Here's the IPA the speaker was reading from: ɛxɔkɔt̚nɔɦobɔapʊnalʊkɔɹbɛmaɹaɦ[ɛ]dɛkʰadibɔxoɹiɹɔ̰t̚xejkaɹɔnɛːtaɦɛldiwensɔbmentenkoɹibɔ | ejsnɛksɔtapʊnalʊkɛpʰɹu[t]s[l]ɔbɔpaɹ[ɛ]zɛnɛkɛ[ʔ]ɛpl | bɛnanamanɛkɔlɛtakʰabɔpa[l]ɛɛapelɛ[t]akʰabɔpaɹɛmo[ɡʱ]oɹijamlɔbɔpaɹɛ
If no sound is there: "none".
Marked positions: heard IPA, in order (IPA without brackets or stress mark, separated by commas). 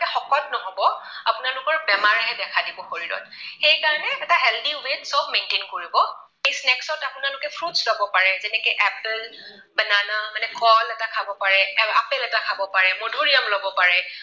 ɛ, t, l, ɛ, ʔ, ɹ, t, dʱ